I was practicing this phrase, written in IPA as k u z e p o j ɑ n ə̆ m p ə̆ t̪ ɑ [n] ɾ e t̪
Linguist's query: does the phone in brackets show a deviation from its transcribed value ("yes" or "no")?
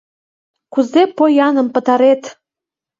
yes